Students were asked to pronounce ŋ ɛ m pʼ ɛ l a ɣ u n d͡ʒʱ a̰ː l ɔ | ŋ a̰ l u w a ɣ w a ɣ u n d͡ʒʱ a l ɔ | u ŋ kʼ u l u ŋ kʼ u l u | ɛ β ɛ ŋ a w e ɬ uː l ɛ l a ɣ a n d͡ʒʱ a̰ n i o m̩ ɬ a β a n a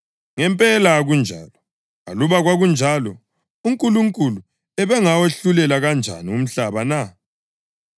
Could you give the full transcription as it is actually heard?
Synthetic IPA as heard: ŋ ɛ m pʼ ɛ l a ɣ u n d͡ʒʱ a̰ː l ɔ | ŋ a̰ l u β a ɣ w a ɣ u n d͡ʒʱ a l ɔ | u ŋ kʼ u l u ŋ kʼ u l u | ɛ β ɛ ŋ a w e ɬ u l ɛ l a ɣ a n d͡ʒʱ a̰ n i u m̩ ɬ a β a n a